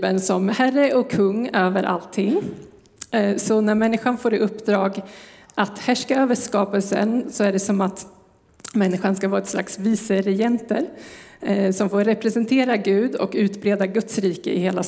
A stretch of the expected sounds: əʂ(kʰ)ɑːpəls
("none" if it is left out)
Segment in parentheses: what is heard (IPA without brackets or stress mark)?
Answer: k